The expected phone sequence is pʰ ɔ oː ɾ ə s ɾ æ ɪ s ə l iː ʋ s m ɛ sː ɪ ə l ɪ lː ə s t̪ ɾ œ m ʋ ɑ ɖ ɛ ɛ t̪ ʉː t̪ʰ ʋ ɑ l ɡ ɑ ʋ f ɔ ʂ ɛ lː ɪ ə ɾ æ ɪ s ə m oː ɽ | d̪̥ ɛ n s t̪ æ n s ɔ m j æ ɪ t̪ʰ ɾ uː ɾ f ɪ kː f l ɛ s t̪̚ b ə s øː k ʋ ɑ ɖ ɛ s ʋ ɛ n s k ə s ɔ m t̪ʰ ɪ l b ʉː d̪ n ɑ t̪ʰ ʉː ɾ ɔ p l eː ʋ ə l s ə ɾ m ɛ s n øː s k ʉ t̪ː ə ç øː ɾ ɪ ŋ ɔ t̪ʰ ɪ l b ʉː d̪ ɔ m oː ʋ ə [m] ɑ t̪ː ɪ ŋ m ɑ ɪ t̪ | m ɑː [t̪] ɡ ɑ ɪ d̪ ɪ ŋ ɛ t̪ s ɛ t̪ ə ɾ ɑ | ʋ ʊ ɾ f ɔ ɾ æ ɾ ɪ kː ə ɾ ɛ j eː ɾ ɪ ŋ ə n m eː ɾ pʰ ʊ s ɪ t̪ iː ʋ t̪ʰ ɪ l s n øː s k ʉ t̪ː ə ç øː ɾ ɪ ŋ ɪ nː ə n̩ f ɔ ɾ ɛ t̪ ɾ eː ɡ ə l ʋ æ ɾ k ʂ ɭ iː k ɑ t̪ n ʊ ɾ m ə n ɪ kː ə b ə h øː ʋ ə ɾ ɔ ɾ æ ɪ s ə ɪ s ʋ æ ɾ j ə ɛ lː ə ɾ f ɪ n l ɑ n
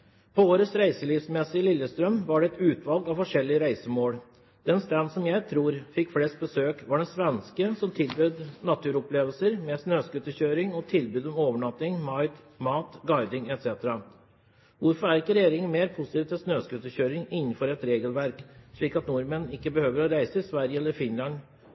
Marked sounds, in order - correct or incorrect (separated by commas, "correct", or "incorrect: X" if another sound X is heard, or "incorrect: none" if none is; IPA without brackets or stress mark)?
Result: incorrect: ɳ, correct